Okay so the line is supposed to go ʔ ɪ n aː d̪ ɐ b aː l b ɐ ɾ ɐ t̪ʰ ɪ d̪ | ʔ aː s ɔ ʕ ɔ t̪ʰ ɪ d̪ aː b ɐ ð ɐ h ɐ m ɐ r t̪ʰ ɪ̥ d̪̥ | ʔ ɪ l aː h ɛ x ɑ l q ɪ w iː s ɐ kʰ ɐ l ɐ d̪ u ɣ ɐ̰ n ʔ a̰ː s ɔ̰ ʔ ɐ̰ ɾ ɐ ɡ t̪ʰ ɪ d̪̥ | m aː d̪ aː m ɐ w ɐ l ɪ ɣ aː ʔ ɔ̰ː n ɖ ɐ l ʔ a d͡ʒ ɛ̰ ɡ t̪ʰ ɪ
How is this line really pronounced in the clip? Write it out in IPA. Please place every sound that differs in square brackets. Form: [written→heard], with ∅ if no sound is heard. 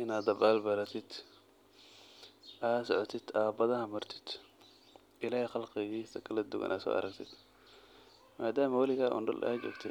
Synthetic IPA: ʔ ɪ n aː d̪ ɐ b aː l b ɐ ɾ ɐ t̪ʰ ɪ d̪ | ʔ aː s ɔ ʕ ɔ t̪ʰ ɪ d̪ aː b ɐ ð ɐ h ɐ m ɐ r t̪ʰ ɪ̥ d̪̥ | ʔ ɪ l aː h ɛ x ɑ l q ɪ [w→ɣ] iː s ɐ kʰ ɐ l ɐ d̪ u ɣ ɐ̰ n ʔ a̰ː s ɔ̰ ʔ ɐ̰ ɾ ɐ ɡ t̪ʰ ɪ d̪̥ | m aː d̪ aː m ɐ w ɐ l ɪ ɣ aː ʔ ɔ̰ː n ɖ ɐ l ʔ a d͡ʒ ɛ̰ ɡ t̪ʰ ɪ